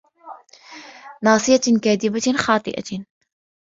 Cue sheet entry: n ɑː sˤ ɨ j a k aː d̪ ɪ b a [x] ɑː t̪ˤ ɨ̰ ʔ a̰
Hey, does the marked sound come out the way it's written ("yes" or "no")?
yes